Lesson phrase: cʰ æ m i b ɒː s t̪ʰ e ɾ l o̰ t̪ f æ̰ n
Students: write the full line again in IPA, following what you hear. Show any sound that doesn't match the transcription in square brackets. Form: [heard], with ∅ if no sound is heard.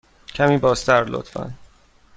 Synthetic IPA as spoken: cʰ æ m [iː] b ɒː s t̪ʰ [æ] ɾ l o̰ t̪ f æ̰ n